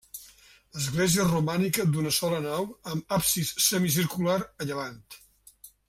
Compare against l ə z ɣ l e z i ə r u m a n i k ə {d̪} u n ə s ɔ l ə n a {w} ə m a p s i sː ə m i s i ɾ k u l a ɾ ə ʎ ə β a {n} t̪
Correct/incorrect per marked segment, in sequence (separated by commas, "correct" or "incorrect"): correct, correct, correct